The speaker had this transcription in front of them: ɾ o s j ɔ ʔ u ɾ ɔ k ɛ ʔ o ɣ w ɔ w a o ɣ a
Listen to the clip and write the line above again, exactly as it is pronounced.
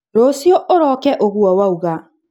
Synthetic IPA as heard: ɾ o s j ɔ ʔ o ɾ ɔ k ɛ ʔ o ɣ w ɔ w a u ɣ a